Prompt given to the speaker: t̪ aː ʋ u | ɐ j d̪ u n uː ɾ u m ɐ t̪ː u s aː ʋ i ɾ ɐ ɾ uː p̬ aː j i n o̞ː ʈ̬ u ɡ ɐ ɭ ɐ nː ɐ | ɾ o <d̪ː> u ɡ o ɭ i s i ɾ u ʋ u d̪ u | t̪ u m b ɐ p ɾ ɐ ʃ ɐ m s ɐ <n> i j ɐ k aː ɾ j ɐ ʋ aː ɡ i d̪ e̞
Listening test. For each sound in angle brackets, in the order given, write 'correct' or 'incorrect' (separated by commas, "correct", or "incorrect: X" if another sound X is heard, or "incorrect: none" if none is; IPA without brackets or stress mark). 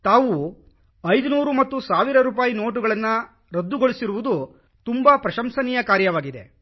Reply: correct, correct